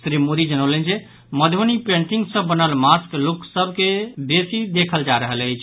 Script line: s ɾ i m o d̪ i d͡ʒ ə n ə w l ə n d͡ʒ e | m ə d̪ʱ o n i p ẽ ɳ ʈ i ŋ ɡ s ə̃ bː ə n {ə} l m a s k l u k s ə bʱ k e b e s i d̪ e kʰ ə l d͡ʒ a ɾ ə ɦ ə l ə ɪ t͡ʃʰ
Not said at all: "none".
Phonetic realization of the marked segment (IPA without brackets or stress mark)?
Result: ə